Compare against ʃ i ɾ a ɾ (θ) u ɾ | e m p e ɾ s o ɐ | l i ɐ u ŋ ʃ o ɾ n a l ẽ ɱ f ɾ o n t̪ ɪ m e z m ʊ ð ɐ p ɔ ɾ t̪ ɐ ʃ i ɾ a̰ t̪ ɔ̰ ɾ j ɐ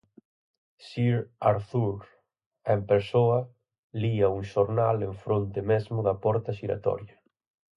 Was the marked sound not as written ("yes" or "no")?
no